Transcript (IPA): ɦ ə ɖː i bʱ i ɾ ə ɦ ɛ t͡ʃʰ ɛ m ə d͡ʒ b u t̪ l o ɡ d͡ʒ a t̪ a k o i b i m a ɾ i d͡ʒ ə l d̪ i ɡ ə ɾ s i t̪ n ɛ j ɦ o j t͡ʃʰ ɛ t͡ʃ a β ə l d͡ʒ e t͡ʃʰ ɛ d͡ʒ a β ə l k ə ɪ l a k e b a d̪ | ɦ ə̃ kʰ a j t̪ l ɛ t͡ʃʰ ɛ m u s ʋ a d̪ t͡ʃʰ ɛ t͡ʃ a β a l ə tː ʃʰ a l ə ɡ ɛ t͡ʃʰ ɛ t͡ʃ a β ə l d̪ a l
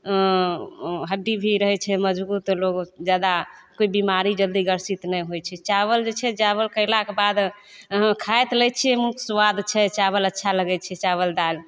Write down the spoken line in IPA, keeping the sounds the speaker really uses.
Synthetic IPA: ɦ ə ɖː i bʱ i ɾ ə ɦ ɛ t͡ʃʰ ɛ m ə d͡ʒ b u t̪ l o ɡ d͡ʒ a d̪ a k o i b i m a ɾ i d͡ʒ ə l d̪ i ɡ ə ɾ s i t̪ n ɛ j ɦ o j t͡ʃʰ ɛ t͡ʃ a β ə l d͡ʒ e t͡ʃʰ ɛ d͡ʒ a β ə l k ə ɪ l a k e b a d̪ | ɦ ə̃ kʰ a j t̪ l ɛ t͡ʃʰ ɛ m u s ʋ a d̪ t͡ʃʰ ɛ t͡ʃ a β ə l ə tː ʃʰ a l ə ɡ ɛ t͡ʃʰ ɛ t͡ʃ a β ə l d̪ a l